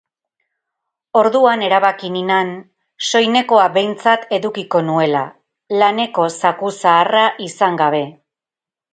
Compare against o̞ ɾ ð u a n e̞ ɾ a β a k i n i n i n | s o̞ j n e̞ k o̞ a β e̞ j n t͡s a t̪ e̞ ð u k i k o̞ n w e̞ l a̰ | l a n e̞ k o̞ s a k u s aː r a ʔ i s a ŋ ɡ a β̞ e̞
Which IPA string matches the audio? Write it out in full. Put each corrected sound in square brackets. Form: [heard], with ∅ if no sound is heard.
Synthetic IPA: o̞ ɾ ð u a n e̞ ɾ a β a k i n i n [a] n | s o̞ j n e̞ k o̞ a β e̞ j n t͡s a t̪ e̞ ð u k i k o̞ n [u] e̞ l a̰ | l a n e̞ k o̞ s a k u s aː r a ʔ i s a ŋ ɡ a β̞ e̞